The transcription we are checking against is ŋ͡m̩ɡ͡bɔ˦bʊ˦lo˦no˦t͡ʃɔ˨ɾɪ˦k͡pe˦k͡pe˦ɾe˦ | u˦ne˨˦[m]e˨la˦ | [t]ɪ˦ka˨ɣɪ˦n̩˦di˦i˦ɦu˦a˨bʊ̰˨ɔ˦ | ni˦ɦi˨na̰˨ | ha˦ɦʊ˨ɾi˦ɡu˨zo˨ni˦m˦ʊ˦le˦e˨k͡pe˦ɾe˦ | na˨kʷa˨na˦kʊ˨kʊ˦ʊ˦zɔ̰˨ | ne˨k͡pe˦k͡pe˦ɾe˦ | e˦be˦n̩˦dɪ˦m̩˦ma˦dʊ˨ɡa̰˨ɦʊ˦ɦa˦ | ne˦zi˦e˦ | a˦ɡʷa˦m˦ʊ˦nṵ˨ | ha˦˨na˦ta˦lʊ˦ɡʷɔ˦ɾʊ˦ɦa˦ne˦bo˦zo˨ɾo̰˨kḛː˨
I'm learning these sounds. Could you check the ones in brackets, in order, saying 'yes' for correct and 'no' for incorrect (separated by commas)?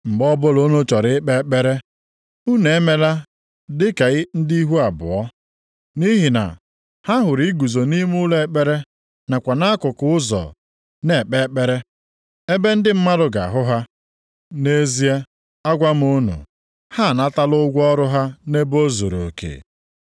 yes, no